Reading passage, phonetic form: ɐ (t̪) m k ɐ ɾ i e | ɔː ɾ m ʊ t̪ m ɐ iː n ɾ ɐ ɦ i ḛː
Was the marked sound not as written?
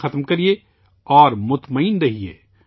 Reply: no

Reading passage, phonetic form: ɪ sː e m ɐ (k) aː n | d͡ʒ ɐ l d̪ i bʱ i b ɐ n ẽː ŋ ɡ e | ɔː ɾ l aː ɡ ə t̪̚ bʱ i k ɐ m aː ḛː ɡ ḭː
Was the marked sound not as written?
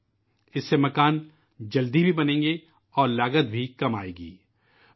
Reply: no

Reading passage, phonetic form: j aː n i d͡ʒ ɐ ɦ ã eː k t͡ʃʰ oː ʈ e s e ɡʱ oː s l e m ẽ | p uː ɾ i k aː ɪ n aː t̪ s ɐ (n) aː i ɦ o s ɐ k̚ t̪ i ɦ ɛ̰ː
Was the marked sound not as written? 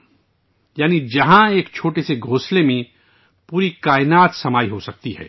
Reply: yes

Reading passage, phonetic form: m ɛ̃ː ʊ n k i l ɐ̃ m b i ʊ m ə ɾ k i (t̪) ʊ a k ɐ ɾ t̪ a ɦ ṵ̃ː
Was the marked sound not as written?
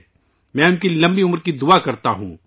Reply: yes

